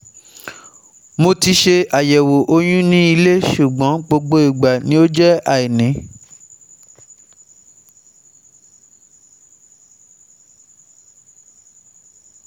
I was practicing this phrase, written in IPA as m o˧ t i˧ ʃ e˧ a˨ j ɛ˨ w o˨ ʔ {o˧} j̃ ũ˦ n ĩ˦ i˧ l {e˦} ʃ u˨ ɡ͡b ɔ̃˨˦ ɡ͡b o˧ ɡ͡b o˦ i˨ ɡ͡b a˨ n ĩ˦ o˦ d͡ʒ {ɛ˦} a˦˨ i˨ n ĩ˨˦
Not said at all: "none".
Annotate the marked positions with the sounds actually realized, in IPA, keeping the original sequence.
o˧, e˦, ɛ˦

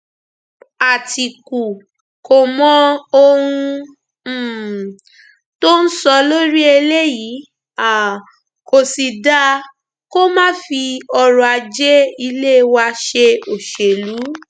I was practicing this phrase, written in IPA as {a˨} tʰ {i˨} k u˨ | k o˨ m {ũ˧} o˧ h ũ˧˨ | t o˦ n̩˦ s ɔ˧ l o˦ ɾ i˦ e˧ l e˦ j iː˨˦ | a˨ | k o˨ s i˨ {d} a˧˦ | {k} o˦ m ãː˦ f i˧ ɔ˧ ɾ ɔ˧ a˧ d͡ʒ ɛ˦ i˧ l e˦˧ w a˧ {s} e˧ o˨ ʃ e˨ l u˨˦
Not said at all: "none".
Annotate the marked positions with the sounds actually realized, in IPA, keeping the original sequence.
a˨, i˨, ɔ̃˧, d, k, ʃ

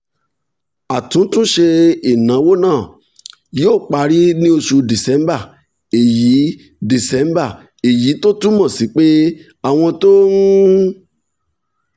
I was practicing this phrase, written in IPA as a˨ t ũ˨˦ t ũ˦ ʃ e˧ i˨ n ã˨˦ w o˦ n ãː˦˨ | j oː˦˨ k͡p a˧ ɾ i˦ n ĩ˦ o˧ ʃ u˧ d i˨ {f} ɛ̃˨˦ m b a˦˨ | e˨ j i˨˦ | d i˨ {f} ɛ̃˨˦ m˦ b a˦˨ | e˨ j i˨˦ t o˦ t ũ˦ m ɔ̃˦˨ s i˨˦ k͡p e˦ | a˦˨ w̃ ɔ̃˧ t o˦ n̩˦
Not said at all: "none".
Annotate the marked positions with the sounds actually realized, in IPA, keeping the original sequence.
s, s

